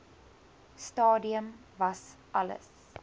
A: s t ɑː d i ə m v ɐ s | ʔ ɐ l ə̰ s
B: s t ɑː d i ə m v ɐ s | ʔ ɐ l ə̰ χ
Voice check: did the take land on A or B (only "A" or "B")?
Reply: A